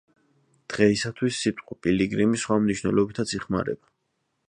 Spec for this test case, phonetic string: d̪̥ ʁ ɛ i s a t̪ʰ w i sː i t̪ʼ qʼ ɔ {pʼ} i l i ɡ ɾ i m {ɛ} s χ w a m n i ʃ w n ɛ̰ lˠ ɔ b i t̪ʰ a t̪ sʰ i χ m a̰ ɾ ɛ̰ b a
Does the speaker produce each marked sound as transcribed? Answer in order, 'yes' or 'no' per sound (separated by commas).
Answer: yes, no